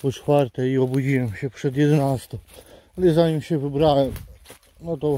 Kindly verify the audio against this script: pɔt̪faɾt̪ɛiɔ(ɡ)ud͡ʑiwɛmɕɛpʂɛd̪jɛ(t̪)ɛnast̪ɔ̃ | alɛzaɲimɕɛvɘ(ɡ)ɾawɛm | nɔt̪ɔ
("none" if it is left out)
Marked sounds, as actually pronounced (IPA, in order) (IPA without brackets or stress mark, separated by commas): b, d̪, b